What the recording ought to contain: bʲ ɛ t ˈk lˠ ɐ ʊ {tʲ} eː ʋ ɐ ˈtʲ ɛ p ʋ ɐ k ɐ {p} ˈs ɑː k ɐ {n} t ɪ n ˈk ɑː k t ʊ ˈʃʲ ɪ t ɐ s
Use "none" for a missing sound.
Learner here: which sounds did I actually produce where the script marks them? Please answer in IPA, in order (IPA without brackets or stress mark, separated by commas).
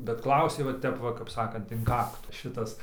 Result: sʲ, p, n